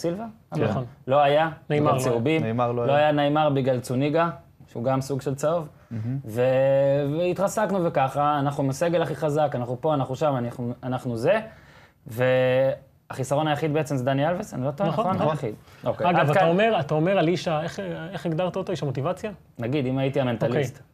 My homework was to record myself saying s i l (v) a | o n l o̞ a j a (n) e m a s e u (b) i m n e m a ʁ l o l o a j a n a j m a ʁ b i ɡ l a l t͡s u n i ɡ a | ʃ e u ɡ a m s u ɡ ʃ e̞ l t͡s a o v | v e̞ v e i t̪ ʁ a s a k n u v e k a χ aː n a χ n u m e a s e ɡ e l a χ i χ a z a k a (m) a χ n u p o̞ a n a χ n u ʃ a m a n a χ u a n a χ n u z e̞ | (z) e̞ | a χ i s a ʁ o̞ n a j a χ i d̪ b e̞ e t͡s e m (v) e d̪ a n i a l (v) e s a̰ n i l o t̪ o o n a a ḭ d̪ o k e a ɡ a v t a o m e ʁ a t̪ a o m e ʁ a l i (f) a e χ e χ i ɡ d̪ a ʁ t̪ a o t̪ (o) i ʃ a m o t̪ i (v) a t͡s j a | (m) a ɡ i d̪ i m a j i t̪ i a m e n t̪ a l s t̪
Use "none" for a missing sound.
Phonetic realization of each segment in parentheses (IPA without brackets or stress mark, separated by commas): v, n, b, n, v, z, v, ʃ, o, v, n